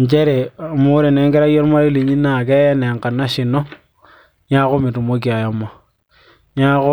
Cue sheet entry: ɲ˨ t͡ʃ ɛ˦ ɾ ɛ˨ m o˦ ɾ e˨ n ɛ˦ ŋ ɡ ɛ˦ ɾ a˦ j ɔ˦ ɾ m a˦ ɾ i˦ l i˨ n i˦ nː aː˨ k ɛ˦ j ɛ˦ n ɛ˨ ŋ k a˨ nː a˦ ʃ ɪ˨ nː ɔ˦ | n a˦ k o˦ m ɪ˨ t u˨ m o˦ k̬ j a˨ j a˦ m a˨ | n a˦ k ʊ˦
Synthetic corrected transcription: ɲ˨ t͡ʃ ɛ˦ ɾ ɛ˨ m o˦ ɾ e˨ n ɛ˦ ŋ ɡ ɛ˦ ɾ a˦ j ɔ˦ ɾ m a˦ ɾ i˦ l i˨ ɲ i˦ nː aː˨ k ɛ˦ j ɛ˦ n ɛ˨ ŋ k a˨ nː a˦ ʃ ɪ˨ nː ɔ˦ | ɲ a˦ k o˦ m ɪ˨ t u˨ m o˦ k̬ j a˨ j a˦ m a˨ | ɲ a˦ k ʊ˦